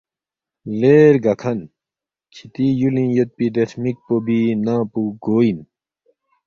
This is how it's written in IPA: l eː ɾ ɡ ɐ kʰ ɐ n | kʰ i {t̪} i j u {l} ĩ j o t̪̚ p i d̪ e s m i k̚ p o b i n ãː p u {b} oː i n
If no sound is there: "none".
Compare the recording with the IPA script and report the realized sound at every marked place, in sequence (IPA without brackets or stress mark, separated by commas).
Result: t̪, l, ɡ